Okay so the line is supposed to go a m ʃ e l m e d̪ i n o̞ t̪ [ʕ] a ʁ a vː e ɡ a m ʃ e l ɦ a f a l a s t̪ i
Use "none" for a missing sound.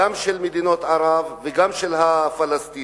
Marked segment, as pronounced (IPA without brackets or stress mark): ʕ